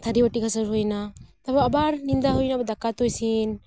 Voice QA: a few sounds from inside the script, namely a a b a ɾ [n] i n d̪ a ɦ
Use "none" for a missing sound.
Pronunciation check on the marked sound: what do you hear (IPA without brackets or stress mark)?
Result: n